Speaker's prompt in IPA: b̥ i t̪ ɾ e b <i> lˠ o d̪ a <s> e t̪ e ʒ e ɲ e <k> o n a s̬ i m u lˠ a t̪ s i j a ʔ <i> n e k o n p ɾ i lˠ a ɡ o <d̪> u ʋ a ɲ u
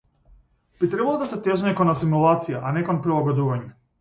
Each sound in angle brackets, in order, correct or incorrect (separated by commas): incorrect, correct, correct, incorrect, correct